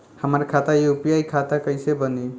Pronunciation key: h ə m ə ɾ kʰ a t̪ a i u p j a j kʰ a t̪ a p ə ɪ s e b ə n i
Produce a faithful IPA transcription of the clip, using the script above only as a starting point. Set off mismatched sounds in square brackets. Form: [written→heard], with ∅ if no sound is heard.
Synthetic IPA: h ə m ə ɾ kʰ a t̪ a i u p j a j kʰ a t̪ a [p→k] ə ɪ s e b ə n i